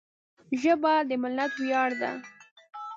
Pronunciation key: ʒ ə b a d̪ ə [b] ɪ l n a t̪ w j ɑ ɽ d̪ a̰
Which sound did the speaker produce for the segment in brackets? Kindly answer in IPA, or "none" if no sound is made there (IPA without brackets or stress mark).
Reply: m